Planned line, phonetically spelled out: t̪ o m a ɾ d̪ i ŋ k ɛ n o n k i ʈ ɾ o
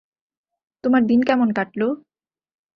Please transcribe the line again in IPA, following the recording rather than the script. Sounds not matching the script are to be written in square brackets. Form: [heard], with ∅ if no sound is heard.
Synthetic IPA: t̪ o m a ɾ d̪ i [n] k ɛ [m] o n k [a] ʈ [l] o